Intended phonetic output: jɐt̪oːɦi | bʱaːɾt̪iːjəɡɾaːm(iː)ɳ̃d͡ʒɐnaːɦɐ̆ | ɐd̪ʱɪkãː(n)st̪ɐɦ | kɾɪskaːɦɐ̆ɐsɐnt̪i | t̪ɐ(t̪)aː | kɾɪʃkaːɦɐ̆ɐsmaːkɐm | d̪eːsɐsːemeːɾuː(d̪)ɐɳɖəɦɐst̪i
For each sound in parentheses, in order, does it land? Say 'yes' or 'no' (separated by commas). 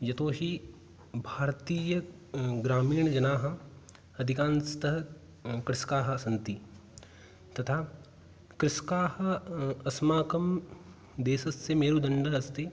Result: yes, yes, no, yes